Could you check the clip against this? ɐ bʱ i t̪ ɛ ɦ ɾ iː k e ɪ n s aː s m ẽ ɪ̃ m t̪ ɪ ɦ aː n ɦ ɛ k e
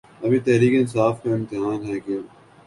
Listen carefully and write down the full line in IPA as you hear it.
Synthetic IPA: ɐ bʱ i t̪ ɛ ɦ ɾ iː k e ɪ n s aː f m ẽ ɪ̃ m t̪ ɪ ɦ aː n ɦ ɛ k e